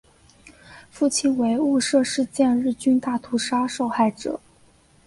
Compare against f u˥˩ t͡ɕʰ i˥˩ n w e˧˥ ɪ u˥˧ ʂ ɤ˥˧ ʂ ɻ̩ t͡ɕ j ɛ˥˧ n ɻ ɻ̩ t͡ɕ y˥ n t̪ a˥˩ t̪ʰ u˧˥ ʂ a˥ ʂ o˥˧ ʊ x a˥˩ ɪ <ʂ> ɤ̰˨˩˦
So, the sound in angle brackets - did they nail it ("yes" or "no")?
no